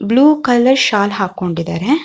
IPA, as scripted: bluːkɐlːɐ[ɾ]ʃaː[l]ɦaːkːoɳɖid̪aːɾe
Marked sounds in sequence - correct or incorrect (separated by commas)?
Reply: correct, correct